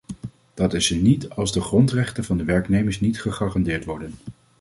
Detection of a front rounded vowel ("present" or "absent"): absent